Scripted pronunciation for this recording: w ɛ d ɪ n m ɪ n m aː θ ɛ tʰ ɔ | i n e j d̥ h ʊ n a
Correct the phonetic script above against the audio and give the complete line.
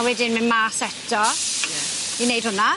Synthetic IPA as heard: w ɛ d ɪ n m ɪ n m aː s ɛ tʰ ɔ | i n e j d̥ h ʊ n a